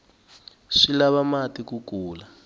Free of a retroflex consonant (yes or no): no